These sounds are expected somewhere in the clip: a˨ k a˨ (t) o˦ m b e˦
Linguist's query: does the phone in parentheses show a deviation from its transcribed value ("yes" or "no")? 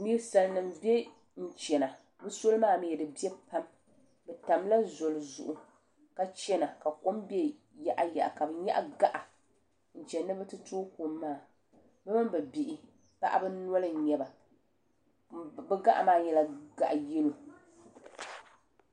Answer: yes